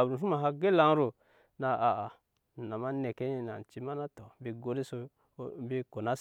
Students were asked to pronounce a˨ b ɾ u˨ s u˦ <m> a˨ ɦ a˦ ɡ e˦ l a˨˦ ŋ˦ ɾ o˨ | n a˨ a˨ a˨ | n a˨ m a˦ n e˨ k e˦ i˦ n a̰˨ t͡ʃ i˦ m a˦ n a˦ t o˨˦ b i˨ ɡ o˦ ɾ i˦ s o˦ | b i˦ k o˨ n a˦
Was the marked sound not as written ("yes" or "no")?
no